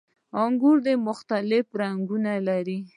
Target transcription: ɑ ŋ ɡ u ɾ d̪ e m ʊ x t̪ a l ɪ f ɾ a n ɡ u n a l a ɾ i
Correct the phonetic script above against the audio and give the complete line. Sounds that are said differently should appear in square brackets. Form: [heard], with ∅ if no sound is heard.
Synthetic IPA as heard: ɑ ŋ ɡ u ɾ d̪ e m ʊ x t̪ a l ɪ f ɾ a [ŋ] ɡ u n a l a ɾ i